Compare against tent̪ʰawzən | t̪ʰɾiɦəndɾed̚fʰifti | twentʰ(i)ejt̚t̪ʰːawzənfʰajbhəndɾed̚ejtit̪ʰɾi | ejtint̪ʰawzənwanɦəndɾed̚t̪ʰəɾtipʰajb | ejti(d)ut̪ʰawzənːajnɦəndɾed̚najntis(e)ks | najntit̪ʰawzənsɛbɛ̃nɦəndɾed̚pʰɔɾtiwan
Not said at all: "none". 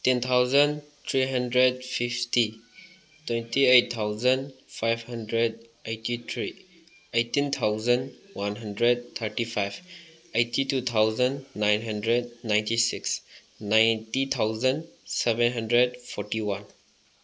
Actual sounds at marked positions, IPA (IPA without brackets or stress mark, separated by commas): i, t, i